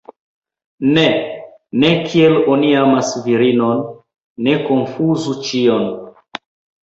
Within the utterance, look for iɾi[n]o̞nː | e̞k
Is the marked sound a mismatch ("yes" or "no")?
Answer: no